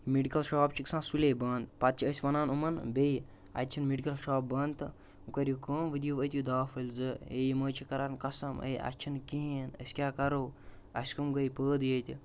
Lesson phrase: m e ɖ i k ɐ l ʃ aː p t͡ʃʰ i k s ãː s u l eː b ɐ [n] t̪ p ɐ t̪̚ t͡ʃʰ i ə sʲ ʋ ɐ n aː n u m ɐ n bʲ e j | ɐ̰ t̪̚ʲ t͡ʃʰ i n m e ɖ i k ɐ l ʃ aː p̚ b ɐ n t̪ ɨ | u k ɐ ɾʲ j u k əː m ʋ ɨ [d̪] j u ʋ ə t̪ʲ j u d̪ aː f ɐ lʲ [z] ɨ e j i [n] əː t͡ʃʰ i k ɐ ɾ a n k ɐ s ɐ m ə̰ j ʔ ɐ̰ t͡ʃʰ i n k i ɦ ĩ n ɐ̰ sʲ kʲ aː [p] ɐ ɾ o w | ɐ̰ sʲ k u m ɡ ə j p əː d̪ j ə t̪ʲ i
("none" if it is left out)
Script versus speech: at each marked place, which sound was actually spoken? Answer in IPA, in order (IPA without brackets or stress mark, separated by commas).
n, d̪, z, m, k